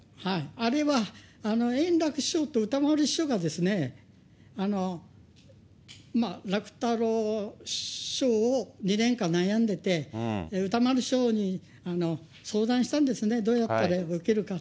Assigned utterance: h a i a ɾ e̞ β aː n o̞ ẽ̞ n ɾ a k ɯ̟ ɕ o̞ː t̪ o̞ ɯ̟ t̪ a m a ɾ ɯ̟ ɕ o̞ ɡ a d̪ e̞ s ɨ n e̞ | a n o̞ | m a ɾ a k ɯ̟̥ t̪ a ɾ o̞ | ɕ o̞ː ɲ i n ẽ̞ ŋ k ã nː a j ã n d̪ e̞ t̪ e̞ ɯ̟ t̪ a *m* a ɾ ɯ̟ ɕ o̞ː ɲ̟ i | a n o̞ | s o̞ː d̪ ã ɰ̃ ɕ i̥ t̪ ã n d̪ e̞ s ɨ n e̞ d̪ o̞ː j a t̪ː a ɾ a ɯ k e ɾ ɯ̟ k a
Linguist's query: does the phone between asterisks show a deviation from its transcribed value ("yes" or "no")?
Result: no